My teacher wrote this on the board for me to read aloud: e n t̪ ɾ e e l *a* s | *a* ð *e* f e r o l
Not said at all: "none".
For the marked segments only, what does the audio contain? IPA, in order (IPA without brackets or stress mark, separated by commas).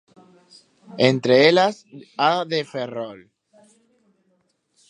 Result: a, a, e